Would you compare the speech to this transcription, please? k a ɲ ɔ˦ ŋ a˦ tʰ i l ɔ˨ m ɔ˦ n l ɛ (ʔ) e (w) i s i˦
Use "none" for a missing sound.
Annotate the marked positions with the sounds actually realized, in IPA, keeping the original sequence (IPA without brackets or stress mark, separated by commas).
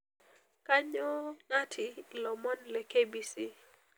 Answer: k, b